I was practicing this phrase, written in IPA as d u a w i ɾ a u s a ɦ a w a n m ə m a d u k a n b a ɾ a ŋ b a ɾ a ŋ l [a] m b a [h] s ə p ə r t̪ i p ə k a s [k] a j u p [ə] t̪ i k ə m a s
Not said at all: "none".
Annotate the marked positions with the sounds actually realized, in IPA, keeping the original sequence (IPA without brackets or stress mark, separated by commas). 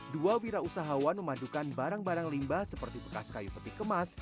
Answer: i, h, k, ə